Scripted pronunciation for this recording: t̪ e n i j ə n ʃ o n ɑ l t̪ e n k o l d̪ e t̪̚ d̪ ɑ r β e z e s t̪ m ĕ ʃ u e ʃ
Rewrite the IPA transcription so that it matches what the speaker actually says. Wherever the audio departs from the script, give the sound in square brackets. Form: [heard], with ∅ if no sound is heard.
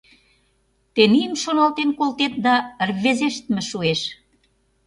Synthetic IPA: t̪ e n i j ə [m] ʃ o n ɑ l t̪ e n k o l [t̪] e t̪̚ d̪ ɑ r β e z e [ʃ] t̪ m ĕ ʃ u e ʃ